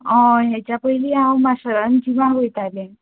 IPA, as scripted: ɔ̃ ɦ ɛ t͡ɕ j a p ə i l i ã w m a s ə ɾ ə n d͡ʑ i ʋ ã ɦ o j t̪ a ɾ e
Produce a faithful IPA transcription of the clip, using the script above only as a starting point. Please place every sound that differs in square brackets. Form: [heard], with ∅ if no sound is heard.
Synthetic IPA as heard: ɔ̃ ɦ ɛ t͡ɕ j a p ə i l i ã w m a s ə ɾ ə n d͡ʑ i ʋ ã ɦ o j t̪ a [l] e